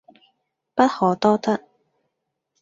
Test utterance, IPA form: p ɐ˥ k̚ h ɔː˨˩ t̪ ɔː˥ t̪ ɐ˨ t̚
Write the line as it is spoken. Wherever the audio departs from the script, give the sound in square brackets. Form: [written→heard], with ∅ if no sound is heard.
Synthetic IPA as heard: p ɐ˥ [k̚→t̚] h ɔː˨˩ t̪ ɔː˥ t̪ [ɐ˨→ɐ˥] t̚